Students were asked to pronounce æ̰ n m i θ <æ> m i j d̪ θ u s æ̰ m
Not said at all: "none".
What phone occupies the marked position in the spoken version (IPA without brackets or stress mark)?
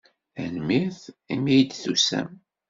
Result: i